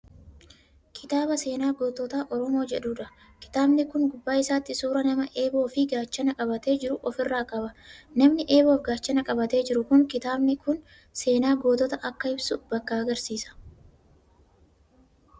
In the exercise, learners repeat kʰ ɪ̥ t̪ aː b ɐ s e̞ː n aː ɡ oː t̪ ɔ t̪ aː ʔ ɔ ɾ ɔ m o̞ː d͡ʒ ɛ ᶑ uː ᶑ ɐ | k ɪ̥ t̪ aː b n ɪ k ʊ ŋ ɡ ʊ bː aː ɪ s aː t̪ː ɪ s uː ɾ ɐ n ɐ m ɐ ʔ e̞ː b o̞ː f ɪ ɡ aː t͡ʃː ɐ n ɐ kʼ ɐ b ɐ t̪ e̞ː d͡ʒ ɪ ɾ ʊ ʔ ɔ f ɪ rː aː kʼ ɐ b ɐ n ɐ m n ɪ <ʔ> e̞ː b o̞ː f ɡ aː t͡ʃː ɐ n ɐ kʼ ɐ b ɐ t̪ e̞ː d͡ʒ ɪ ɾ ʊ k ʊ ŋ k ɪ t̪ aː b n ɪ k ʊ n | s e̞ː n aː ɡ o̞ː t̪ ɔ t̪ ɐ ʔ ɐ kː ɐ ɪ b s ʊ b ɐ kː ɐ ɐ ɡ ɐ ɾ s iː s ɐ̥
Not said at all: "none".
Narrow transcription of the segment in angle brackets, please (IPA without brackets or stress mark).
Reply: ʔ